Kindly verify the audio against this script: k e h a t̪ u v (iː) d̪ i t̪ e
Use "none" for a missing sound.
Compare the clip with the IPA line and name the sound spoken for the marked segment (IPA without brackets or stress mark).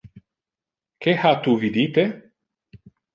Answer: i